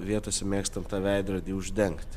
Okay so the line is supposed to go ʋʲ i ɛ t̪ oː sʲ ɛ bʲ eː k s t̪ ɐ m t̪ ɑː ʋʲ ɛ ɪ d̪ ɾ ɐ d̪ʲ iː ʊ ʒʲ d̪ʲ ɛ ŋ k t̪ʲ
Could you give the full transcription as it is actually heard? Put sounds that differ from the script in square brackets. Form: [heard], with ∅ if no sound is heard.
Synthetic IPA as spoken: ʋʲ i ɛ t̪ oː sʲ ɛ [mʲ] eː k s t̪ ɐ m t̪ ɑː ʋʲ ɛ ɪ d̪ ɾ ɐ d̪ʲ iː ʊ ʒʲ d̪ʲ ɛ ŋ k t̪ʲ